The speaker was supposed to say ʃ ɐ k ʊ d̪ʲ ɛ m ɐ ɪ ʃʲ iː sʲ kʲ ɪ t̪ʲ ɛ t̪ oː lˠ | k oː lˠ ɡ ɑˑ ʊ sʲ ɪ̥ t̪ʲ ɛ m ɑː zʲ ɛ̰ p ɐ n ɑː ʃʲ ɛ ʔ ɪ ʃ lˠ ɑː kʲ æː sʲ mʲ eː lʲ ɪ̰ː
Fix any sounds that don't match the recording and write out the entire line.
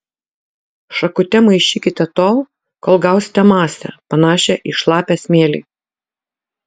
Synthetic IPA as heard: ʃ ɐ k ʊ t̪ʲ ɛ m ɐ ɪ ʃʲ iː kʲ ɪ t̪ʲ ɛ t̪ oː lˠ | k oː lˠ ɡ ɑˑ ʊ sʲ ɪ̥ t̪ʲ ɛ m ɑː sʲ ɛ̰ p ɐ n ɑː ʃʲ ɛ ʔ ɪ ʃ lˠ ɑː pʲ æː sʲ mʲ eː lʲ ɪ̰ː